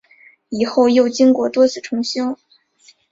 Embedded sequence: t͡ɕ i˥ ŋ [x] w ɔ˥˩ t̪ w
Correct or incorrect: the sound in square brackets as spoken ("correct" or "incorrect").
incorrect